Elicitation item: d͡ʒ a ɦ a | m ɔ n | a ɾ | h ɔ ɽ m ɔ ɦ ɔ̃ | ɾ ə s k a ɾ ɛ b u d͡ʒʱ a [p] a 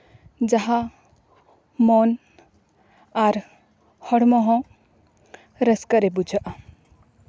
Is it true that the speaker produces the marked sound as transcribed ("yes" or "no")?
no